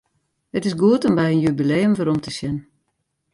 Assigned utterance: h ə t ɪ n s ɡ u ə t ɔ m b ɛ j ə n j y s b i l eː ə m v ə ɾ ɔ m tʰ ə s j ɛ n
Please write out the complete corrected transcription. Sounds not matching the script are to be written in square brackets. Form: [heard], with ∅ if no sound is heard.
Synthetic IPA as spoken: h ə t ɪ [∅] s ɡ u ə t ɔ m b ɛ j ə n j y [∅] b i l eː ə m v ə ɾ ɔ m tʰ ə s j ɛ n

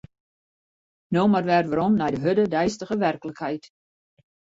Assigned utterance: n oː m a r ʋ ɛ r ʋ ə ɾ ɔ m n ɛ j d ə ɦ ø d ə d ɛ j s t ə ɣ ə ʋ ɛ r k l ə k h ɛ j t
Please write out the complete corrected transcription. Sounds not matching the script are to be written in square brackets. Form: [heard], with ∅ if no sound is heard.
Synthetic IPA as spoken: n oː m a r ʋ ɛ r ʋ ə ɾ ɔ m n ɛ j d ə ɦ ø d ə d ɛ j s t ə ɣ ə ʋ ɛ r k l ə k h ɛ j t

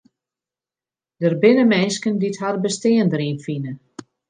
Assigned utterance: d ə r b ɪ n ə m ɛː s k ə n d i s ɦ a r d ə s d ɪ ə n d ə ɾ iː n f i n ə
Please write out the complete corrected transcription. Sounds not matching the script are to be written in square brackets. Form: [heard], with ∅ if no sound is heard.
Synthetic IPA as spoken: d ə r b ɪ n ə m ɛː s k ə n d i [t] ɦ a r [b] ə s [t] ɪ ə n d ə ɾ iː n f i n ə

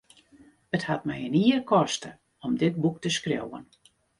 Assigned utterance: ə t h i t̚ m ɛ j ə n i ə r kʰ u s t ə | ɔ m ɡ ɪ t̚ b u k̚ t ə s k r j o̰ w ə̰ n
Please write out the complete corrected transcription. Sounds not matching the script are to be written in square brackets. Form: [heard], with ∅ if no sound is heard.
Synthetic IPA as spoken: ə t h [a] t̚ m ɛ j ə n i ə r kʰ [ɔ] s t ə | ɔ m [d] ɪ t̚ b u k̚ t ə s k r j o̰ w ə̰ n

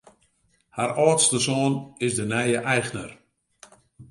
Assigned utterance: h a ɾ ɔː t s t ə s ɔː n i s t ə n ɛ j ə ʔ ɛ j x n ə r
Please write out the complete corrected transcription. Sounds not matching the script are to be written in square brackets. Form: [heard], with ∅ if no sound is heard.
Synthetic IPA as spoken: h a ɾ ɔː t s t ə s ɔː n [ɪ] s [d] ə n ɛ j ə ʔ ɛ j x n ə r

